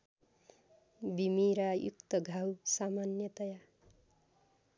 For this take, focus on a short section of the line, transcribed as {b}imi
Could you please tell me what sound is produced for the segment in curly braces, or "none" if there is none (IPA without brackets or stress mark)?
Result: b